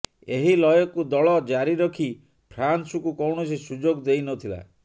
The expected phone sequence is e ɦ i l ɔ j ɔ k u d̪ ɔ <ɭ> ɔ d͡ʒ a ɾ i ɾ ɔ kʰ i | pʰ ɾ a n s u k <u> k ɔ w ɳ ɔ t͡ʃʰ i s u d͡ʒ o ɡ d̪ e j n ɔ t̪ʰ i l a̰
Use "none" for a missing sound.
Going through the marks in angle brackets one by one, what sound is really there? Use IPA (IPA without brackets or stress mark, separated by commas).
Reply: ɭ, u